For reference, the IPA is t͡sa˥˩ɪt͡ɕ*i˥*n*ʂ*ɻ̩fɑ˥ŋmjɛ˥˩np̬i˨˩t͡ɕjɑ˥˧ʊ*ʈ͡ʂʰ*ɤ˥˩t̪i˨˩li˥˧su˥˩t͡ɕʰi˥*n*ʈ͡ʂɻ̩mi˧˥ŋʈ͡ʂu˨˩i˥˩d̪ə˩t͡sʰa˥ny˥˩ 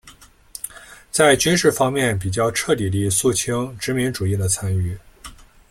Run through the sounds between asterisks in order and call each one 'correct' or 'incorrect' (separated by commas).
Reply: incorrect, correct, correct, incorrect